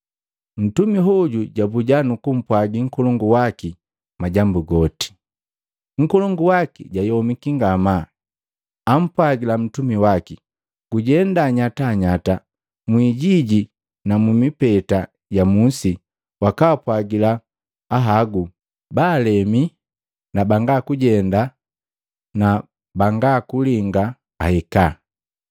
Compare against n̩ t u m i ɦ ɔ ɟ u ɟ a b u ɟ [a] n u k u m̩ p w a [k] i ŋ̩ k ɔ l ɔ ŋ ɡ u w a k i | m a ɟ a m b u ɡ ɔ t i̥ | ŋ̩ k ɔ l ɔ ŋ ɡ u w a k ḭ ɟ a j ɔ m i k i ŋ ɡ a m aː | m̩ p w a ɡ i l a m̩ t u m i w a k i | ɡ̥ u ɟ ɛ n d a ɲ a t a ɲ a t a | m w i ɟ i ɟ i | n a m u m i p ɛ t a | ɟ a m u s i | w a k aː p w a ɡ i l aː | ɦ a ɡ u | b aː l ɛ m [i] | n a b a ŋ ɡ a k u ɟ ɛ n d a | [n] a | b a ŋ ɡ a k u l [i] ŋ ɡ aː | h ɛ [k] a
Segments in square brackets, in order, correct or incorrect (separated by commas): correct, incorrect, correct, correct, correct, correct